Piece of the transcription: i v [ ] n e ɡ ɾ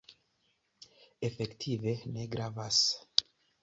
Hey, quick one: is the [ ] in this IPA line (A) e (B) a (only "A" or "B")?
A